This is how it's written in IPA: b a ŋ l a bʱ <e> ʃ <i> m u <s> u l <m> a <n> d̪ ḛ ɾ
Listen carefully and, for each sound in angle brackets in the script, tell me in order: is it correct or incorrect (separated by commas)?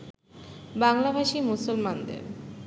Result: incorrect, correct, correct, correct, correct